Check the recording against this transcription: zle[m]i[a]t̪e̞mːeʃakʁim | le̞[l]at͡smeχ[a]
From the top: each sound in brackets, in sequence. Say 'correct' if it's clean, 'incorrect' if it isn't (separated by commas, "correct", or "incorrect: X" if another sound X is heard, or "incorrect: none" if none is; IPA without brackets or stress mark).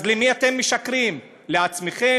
correct, correct, incorrect: none, incorrect: e